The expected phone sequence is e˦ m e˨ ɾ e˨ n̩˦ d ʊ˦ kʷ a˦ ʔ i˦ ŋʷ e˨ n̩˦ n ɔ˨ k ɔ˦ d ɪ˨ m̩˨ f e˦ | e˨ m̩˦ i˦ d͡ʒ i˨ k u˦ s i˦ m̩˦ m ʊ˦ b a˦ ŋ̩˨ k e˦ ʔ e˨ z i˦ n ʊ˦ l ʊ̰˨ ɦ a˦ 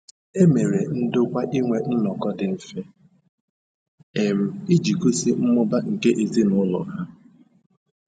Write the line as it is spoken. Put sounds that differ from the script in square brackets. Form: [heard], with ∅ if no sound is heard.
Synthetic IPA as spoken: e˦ m e˨ ɾ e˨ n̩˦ d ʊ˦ kʷ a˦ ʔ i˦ ŋʷ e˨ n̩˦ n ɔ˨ k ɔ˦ d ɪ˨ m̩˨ f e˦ | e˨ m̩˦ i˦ d͡ʒ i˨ k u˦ s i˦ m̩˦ m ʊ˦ b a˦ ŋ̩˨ k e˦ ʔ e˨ z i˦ n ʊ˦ l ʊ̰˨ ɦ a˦